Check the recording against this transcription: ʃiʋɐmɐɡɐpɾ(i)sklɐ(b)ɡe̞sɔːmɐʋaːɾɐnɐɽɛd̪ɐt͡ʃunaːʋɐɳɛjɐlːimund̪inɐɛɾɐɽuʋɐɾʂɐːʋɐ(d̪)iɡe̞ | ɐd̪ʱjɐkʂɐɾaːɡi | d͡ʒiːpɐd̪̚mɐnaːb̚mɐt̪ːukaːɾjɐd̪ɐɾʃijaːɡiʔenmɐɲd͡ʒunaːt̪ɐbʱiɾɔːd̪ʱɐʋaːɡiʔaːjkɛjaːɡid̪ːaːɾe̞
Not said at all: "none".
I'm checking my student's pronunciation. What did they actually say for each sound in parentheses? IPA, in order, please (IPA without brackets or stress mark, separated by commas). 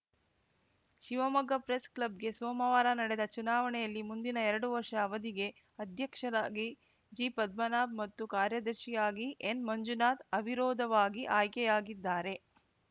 e, b, d̪